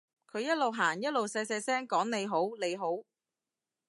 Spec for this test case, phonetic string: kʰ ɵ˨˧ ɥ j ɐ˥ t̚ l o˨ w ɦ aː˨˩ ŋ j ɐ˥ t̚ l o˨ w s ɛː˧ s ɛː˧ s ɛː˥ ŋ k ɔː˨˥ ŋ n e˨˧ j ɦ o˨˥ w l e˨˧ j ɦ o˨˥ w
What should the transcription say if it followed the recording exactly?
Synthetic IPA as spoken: kʰ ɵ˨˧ ɥ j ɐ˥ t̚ l o˨ w ɦ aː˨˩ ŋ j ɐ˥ t̚ l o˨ w s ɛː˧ s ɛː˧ s ɛː˥ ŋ k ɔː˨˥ ŋ n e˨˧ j ɦ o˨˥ w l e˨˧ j ɦ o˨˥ w